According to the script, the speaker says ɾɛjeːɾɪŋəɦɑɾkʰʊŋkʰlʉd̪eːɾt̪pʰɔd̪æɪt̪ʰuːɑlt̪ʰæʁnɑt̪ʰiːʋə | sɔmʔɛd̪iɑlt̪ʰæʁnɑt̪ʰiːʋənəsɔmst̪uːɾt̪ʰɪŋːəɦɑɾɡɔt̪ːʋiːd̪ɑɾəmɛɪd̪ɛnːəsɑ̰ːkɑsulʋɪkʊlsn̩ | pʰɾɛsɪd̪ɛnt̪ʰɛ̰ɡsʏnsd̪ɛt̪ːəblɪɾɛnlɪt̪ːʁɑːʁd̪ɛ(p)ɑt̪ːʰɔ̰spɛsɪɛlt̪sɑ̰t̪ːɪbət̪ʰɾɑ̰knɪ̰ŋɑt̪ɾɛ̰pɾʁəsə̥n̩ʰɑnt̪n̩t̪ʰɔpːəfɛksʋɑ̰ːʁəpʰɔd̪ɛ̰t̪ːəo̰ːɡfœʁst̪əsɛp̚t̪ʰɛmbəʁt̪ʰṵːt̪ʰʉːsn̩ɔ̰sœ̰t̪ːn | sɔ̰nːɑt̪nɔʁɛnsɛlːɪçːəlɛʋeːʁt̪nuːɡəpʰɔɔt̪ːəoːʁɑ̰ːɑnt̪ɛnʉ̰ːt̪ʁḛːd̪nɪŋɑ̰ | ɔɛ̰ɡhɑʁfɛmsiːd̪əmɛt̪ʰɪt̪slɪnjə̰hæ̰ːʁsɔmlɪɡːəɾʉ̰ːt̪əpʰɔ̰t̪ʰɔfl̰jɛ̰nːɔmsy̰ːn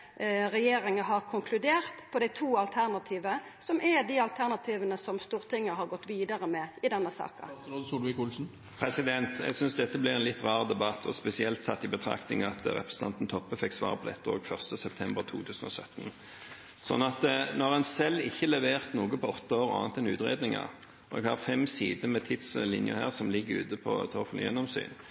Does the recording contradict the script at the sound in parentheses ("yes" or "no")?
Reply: yes